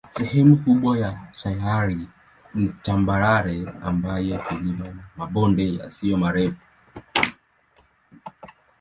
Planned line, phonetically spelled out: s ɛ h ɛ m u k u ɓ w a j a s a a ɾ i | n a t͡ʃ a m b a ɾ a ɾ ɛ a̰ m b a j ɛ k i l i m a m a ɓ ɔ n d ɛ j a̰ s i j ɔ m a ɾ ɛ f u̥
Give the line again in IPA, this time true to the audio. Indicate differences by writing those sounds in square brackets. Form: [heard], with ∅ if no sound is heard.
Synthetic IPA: s ɛ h ɛ m u k u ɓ w a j a s a a ɾ i | n [i] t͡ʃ a m b a ɾ a ɾ ɛ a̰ m b a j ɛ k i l i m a m a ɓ ɔ n d ɛ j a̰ s i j ɔ m a ɾ ɛ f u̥